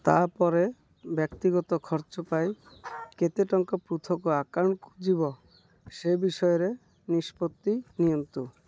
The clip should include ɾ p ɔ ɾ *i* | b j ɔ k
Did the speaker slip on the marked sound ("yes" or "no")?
yes